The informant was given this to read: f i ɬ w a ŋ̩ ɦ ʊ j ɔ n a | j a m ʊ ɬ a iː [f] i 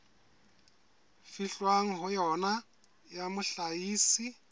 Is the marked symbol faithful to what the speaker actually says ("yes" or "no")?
no